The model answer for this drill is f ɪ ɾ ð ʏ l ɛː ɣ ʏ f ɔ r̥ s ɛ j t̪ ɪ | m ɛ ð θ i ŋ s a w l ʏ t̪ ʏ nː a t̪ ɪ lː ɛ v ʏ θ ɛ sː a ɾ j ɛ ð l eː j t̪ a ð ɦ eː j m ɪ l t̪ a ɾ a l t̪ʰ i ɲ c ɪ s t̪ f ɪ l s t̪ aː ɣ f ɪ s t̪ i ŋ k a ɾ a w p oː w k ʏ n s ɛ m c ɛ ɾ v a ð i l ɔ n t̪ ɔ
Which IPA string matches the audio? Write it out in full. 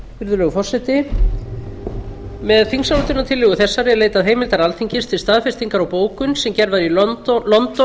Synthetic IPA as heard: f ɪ ɾ ð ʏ l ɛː ɣ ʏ f ɔ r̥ s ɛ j t̪ ɪ | m ɛ ð θ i ŋ s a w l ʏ t̪ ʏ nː a t̪ʰ ɪ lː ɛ ɣ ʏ θ ɛ sː a ɾ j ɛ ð l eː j t̪ a ð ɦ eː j m ɪ l t̪ a ɾ a l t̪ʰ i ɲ c ɪ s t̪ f ɪ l s t̪ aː ð f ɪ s t̪ i ŋ k a ɾ a w p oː w k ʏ n s ɛ m c ɛ ɾ v a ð i l ɔ n t̪ ɔ